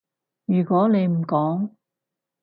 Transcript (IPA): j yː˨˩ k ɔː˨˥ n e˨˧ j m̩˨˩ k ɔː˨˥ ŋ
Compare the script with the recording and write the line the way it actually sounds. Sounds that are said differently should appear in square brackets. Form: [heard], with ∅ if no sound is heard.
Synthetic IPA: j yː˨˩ k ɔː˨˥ n e˨˧ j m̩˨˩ k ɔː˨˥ ŋ